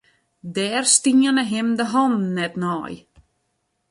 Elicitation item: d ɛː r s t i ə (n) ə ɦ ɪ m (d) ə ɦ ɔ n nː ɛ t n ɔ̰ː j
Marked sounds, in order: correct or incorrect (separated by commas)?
correct, correct